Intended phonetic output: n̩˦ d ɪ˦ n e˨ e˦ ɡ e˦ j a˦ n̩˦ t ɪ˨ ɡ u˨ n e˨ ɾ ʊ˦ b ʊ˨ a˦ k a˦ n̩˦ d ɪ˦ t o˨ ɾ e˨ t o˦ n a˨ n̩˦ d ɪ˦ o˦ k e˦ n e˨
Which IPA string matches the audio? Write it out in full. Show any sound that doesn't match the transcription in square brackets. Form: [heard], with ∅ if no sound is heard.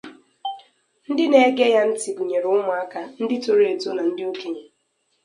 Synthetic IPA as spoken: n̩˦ d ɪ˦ n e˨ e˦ ɡ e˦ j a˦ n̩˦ t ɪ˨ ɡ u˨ [ɲ] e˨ ɾ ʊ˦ [m] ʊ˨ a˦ k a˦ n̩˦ d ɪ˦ t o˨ ɾ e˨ t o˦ n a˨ n̩˦ d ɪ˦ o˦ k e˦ [ɲ] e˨

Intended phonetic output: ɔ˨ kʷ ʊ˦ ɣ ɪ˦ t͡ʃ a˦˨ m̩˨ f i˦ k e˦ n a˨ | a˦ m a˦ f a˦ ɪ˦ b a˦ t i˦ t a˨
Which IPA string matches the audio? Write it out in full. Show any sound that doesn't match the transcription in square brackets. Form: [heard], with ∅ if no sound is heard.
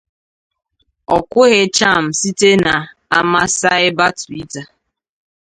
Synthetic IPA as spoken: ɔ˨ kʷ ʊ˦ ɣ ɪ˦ t͡ʃ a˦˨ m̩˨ [s] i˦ [t] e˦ n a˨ | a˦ m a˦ [s] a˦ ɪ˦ b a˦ t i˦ t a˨

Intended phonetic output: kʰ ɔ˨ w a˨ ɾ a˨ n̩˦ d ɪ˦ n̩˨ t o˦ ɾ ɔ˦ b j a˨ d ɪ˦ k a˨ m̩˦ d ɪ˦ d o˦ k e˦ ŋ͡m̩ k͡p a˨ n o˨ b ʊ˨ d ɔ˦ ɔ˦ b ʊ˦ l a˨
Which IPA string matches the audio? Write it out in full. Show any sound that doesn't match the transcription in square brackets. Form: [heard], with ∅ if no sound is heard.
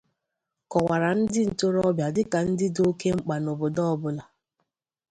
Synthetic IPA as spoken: [k] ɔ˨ w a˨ ɾ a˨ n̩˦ d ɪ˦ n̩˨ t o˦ ɾ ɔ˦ b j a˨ d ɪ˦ k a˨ [n̩˦] d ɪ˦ d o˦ k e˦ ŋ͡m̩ k͡p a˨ n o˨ b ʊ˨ d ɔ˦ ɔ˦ b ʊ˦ l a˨

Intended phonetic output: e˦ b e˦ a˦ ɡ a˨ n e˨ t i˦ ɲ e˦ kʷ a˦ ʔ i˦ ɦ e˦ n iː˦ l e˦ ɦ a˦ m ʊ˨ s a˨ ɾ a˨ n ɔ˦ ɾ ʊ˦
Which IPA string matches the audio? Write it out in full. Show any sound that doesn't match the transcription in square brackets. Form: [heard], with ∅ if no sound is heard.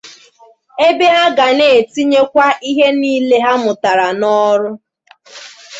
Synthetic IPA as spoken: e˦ b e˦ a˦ ɡ a˨ n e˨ t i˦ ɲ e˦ kʷ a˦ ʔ i˦ ɦ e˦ n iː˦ l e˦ ɦ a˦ m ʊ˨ [t] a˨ ɾ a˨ n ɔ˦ ɾ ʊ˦

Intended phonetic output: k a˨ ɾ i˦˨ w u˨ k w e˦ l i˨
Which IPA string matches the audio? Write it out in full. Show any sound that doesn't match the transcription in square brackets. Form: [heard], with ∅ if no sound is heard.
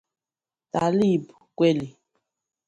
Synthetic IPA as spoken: [t] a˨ [l] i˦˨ [b] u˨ k w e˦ l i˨

